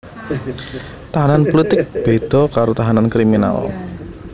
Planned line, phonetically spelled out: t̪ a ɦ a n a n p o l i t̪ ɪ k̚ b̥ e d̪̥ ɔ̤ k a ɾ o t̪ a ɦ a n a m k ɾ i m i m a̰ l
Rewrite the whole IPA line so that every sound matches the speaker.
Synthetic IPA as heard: t̪ a ɦ a n a n p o l i t̪ ɪ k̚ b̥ e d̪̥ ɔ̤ k a ɾ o t̪ a ɦ a n a n k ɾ i m i n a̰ l